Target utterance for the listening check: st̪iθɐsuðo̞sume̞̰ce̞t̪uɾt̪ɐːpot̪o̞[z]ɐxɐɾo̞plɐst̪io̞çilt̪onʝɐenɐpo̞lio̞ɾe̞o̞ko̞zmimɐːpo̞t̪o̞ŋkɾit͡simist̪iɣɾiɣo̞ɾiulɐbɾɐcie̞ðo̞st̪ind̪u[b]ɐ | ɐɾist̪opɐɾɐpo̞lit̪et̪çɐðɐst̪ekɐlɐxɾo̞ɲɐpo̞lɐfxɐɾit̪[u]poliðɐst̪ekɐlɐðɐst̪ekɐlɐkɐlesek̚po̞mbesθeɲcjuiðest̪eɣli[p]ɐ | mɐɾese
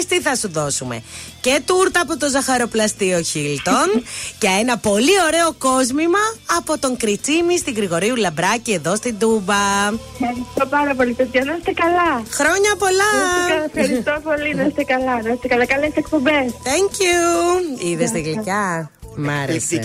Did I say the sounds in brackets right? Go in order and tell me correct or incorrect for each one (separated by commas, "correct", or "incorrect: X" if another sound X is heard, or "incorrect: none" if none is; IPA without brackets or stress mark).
correct, correct, incorrect: o, incorrect: c